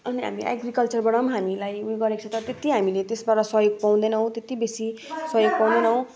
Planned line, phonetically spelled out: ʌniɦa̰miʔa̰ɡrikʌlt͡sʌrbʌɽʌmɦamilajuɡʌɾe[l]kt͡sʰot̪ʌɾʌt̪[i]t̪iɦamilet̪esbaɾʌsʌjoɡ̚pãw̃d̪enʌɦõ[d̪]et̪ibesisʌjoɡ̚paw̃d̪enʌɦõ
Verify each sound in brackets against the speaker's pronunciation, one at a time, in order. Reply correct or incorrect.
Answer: incorrect: none, incorrect: e, incorrect: t̪

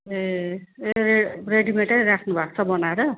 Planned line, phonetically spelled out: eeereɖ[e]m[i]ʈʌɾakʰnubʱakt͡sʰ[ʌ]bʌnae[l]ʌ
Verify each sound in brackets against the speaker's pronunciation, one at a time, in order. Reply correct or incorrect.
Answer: incorrect: i, incorrect: e, correct, incorrect: ɾ

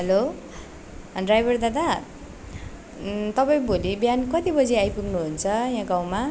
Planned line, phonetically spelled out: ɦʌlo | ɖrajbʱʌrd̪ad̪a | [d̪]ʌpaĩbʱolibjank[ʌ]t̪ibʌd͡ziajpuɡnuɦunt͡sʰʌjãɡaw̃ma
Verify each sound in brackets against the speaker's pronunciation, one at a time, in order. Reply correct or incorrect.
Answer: incorrect: t̪, correct

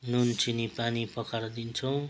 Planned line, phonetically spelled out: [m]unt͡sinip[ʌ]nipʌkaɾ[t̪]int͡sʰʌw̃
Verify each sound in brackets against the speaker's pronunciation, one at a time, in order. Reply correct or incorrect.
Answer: incorrect: n, incorrect: a, incorrect: d̪

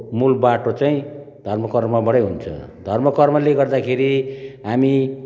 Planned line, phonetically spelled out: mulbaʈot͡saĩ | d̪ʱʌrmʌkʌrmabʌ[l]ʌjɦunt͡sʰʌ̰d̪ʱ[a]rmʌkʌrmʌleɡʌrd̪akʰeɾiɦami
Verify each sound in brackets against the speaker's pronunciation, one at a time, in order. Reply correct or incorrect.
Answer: incorrect: ɽ, incorrect: ʌ

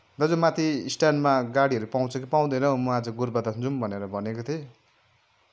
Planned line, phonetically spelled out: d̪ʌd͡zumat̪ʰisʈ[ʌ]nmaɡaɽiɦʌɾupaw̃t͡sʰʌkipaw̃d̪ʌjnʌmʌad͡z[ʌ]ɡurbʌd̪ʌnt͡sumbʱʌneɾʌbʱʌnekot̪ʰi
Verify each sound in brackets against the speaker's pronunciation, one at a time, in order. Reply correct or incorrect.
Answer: incorrect: a, correct

